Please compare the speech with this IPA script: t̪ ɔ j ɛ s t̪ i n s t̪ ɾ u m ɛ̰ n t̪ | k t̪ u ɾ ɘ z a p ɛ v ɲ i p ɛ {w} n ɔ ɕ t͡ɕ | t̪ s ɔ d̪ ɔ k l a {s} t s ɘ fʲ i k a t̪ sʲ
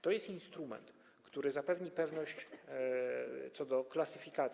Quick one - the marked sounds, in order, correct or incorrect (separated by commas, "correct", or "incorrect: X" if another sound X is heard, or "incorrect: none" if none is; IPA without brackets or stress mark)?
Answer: incorrect: v, incorrect: none